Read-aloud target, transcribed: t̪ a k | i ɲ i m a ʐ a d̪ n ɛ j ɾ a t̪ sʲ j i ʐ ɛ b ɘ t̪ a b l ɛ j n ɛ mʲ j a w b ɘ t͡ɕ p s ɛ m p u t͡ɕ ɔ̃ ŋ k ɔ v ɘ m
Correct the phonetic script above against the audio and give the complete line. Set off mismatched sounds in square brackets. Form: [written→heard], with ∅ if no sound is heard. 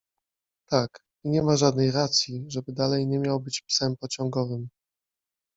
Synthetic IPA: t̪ a k | i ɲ [i→ɛ] m a ʐ a d̪ n ɛ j ɾ a t̪ sʲ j i ʐ ɛ b ɘ [t̪→d̪] a [b→∅] l ɛ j [n→ɲ] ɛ mʲ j a w b ɘ t͡ɕ p s ɛ m p [u→ɔ] t͡ɕ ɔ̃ ŋ [k→ɡ] ɔ v ɘ m